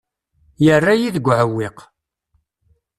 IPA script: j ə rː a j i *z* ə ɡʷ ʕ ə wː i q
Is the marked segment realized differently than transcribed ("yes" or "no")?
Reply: yes